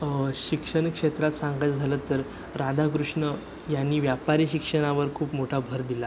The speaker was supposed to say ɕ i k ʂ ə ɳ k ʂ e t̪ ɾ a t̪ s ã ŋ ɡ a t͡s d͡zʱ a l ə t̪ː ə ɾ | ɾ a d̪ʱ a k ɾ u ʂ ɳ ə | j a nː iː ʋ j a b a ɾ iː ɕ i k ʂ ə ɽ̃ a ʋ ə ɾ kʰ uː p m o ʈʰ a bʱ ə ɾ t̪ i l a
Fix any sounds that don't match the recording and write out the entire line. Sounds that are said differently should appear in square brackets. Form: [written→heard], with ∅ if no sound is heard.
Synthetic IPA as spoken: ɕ i k ʂ ə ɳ k ʂ e t̪ ɾ a t̪ s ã ŋ ɡ a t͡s d͡zʱ a l ə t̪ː ə ɾ | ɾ a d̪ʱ a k ɾ u ʂ ɳ ə | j a nː iː ʋ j a [b→p] a ɾ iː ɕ i k ʂ ə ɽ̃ a ʋ ə ɾ kʰ uː p m o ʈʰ a bʱ ə ɾ [t̪→d̪] i l a